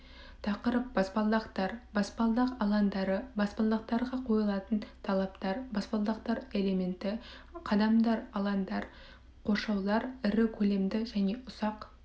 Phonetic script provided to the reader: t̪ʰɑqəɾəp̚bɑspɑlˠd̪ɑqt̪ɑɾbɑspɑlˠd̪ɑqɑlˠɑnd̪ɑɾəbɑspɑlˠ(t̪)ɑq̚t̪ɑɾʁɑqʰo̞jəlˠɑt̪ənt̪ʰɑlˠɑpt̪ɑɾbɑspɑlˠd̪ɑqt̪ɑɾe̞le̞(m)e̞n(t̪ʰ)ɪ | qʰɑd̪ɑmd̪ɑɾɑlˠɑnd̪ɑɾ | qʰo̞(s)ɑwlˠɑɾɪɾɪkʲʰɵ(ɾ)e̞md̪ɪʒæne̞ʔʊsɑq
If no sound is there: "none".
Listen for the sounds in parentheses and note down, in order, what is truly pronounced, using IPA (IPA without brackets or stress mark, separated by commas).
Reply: d̪, m, t̪, ʃ, l